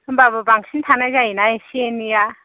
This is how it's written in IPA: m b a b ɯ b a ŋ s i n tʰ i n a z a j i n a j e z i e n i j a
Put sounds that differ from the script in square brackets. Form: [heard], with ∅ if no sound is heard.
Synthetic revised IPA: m b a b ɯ b a ŋ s i n tʰ [a] n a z a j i n a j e [s] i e n i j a